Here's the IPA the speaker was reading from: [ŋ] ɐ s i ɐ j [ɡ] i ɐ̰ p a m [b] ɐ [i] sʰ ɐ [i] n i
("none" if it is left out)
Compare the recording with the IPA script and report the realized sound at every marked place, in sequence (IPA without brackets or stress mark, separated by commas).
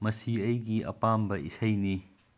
m, ɡ, b, i, j